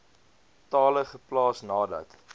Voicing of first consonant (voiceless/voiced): voiceless